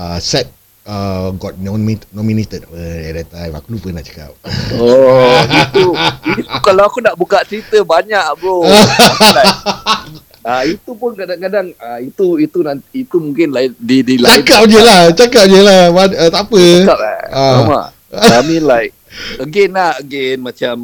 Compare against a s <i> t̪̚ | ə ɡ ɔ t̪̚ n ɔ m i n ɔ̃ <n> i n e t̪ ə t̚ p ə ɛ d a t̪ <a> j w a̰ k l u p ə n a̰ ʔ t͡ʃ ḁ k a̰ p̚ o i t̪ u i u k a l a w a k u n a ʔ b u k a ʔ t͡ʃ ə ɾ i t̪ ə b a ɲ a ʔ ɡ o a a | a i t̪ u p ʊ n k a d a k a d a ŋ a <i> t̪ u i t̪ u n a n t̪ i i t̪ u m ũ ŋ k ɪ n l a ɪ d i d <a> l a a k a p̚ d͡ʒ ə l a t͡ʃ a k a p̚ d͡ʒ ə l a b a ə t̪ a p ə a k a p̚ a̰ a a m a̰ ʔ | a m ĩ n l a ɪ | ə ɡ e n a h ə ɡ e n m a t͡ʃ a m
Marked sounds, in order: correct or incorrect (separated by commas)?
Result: incorrect, incorrect, correct, correct, incorrect